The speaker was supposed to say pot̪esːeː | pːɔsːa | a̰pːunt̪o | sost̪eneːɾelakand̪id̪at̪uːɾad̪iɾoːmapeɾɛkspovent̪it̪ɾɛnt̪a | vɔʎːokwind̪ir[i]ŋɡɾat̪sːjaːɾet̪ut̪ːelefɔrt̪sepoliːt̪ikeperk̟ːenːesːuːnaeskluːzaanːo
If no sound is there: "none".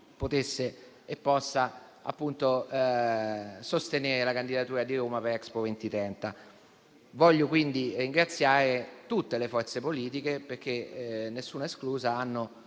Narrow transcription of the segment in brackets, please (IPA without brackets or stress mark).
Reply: i